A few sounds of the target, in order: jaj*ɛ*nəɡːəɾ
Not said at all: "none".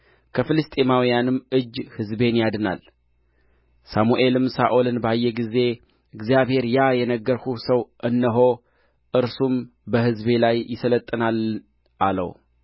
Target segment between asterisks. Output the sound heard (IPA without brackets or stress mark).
ɛ